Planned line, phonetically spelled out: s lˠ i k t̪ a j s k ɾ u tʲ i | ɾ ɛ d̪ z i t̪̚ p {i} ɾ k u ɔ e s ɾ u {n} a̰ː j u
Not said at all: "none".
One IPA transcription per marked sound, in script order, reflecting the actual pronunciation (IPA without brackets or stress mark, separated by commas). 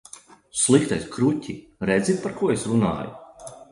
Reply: a, n